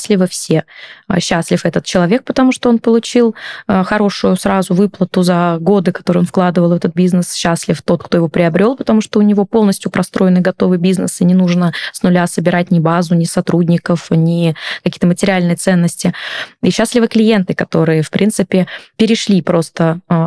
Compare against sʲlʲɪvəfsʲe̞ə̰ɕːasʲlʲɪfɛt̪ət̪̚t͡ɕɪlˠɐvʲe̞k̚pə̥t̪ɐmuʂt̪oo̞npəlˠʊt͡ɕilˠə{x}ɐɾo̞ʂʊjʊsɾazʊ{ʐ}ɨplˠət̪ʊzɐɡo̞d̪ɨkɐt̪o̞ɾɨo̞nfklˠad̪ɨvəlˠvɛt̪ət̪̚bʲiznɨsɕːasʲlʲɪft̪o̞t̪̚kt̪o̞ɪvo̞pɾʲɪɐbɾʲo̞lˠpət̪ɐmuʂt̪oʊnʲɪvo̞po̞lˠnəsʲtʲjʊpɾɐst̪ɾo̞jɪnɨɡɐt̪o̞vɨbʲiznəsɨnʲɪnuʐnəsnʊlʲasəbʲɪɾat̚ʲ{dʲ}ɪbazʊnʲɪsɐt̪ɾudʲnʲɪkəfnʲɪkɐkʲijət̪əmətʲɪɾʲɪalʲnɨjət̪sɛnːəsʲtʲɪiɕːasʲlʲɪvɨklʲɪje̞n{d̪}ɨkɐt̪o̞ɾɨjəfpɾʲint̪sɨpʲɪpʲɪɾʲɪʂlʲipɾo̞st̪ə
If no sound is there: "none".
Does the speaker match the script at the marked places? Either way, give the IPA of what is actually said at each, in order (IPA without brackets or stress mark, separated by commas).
x, v, nʲ, t̪